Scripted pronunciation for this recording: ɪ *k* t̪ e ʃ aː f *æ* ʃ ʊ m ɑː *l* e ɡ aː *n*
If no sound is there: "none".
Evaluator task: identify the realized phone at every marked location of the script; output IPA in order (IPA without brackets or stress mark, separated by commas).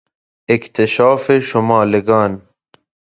k, e, l, n